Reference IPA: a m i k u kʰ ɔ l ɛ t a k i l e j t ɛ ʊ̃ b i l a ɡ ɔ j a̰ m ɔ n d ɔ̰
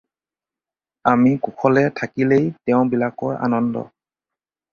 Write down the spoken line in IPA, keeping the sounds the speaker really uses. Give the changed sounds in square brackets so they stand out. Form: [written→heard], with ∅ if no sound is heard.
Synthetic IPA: a m i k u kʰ ɔ l ɛ [t→tʰ] a k i l e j t ɛ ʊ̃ b i l a [ɡ→k] ɔ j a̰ [m→n] ɔ n d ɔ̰